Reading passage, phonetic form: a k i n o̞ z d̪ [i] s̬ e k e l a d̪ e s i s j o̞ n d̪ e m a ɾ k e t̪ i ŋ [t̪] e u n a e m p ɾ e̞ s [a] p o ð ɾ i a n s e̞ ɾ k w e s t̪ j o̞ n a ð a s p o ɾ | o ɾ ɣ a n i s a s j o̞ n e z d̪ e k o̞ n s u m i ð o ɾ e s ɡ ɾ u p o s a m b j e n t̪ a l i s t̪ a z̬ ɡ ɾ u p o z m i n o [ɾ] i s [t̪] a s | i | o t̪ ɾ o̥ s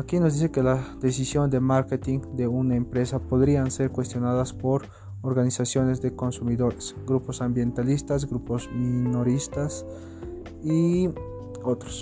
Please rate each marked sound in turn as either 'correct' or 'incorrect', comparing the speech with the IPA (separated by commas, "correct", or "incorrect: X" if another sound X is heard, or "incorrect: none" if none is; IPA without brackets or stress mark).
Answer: correct, incorrect: d̪, correct, correct, correct